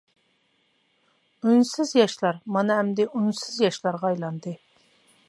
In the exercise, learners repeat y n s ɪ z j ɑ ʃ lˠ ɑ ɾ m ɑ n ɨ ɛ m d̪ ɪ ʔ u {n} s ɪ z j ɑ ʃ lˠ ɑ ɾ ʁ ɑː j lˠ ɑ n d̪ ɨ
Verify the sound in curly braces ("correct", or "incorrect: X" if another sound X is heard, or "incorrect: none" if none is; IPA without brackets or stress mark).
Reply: correct